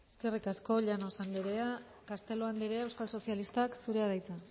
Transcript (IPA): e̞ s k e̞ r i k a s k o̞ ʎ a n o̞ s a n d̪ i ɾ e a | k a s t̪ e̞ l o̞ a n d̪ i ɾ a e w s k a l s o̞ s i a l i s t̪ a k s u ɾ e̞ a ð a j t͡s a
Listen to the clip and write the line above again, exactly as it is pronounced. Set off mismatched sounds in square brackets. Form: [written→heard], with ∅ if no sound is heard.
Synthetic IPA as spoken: e̞ s k e̞ r i k a s k o̞ ʎ a n o̞ s a n d̪ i ɾ e a | k a s t̪ e̞ l o̞ a n d̪ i ɾ [a→e] e w s k a l s o̞ s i a l i s t̪ a k s u ɾ e̞ a ð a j t͡s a